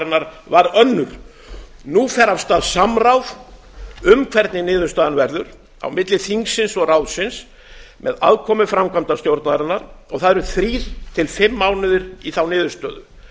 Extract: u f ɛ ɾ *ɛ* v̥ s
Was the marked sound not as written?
yes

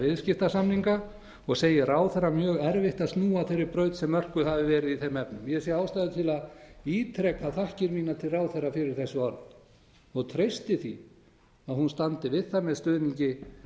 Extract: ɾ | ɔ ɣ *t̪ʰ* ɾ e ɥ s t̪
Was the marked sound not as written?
no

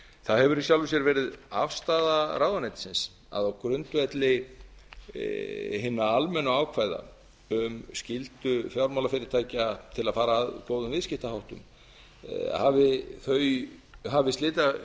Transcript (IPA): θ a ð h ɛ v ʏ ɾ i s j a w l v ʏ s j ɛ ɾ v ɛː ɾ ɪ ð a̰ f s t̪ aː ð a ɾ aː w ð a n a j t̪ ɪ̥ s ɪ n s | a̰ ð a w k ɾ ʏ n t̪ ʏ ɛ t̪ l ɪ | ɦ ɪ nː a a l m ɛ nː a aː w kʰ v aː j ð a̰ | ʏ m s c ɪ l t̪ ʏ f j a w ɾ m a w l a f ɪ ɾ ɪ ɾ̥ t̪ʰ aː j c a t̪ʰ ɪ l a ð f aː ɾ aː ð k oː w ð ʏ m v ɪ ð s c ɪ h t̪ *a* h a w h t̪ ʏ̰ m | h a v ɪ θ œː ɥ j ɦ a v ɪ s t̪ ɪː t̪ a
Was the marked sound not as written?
no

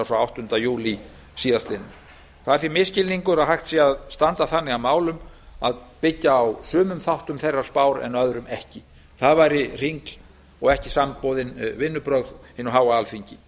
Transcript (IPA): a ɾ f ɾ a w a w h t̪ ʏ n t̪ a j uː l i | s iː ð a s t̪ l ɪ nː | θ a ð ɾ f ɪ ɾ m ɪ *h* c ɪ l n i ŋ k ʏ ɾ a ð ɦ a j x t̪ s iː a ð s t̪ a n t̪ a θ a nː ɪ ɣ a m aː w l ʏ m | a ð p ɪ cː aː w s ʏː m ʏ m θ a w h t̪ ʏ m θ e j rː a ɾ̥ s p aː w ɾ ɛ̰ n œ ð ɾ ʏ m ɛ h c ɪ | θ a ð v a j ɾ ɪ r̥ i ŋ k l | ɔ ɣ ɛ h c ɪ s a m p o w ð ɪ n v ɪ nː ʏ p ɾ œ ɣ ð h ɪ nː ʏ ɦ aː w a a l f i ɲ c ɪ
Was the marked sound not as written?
yes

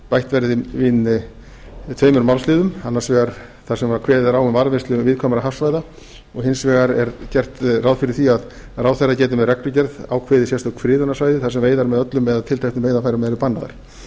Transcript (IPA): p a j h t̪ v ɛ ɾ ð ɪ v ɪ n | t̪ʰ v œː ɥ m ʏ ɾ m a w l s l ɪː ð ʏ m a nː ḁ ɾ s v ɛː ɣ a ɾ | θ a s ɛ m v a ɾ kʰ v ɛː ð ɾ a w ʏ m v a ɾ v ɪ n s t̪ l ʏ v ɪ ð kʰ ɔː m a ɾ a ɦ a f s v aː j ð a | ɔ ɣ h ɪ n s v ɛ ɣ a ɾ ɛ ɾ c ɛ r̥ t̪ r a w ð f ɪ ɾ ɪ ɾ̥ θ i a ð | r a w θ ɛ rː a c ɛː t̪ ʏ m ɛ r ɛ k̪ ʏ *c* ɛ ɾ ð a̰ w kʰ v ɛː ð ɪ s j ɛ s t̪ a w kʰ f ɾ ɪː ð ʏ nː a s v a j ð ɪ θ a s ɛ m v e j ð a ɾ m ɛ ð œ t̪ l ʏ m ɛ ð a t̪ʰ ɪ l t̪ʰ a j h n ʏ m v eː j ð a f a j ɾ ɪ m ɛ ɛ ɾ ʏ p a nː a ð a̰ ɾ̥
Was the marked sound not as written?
no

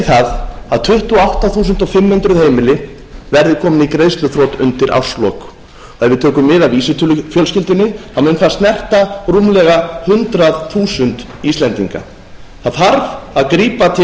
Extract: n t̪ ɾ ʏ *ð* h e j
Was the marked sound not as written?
no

